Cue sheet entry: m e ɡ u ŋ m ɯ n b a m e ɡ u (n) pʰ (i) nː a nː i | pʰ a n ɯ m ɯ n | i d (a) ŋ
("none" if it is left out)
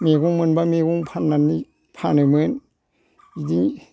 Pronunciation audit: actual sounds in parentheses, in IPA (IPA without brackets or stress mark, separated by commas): ŋ, a, i